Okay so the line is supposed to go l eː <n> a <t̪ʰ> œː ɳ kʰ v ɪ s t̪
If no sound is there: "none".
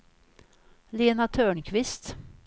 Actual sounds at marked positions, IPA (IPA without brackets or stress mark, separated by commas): n, t̪ʰ